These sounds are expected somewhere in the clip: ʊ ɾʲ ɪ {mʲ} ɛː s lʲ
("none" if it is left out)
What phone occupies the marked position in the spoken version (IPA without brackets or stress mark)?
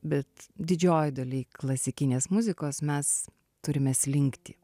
mʲ